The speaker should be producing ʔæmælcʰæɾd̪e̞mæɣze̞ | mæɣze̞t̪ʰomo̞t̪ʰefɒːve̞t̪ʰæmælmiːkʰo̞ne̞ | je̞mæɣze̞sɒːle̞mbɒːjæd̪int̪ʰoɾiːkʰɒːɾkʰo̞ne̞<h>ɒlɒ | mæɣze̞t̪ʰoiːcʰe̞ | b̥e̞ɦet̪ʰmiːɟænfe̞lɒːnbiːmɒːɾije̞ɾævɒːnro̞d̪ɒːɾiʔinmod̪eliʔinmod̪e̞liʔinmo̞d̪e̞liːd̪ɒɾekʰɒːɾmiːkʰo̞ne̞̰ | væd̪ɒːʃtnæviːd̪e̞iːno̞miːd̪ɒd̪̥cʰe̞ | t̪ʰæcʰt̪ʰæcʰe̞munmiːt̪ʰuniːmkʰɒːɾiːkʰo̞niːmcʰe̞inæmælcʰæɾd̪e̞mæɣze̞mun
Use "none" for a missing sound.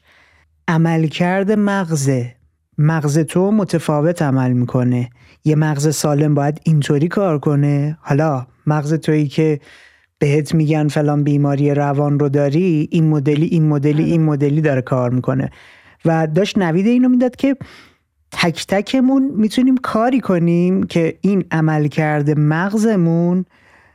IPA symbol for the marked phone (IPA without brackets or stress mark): h